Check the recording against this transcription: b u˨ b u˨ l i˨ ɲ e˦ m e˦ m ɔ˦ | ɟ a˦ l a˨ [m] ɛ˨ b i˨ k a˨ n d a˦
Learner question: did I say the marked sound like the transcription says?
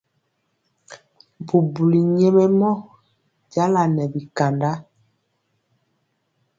no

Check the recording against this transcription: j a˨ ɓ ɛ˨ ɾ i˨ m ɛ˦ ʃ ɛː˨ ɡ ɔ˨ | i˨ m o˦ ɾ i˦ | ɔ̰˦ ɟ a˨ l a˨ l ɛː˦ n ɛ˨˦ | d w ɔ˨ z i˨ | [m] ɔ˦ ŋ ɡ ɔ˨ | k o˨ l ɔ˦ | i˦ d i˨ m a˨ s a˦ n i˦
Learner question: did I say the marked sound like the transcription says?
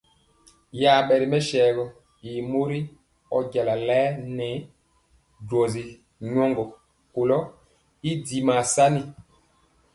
no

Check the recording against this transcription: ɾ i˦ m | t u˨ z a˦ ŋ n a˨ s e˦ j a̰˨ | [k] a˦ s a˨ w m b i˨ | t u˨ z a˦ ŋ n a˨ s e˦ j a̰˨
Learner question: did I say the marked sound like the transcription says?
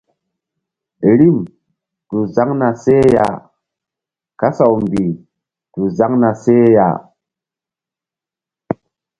yes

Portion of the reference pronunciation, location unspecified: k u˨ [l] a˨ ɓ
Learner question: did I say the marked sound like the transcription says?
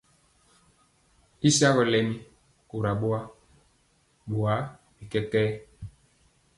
no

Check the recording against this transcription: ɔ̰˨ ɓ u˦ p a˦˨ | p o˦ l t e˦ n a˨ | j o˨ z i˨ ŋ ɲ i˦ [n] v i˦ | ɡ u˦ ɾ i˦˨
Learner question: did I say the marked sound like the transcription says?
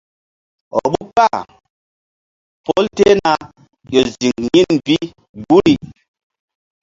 yes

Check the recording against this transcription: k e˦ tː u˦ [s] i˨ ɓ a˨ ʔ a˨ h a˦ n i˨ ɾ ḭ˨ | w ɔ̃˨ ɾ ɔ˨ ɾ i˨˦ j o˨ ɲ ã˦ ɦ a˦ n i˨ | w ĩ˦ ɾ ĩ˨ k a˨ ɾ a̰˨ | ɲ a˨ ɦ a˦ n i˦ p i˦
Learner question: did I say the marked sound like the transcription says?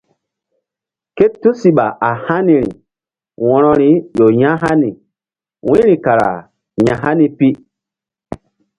yes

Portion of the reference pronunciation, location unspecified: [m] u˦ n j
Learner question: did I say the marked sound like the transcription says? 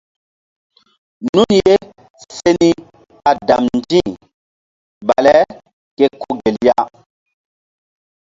no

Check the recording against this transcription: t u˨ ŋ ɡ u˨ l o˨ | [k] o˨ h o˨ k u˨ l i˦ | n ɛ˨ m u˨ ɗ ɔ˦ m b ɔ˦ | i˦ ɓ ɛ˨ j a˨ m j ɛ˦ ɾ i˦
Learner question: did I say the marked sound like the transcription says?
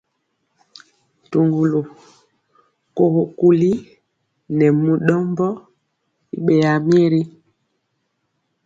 yes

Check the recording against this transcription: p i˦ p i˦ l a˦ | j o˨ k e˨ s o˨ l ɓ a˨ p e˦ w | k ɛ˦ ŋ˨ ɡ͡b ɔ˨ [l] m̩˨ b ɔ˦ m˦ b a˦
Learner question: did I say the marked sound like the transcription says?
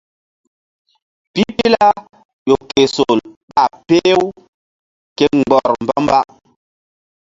no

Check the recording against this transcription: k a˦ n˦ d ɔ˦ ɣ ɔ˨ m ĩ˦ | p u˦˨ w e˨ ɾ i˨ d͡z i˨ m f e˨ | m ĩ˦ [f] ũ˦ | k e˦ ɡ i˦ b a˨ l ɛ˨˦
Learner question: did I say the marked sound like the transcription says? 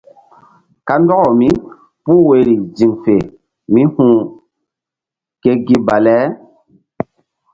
no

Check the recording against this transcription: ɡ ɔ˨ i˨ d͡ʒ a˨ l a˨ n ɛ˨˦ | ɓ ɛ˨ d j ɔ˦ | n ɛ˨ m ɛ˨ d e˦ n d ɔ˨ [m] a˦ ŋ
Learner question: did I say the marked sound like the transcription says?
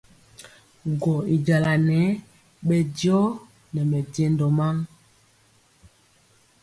yes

